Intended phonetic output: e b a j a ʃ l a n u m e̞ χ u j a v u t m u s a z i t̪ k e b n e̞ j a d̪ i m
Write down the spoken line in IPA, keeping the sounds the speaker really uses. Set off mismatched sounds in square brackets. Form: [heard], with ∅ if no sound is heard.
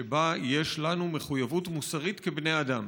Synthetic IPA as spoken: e b a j [e] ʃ l a n u m e̞ χ u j a v u t m u s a [ʁ] i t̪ k e b n e̞ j a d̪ [a] m